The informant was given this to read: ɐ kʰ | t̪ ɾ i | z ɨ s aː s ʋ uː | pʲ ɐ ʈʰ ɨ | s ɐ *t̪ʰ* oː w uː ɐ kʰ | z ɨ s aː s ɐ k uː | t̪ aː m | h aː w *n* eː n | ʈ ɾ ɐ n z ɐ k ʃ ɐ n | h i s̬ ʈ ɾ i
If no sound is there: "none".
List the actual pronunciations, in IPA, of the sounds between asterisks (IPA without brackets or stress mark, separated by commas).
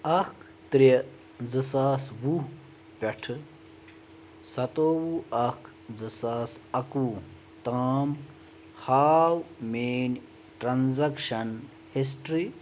t̪, m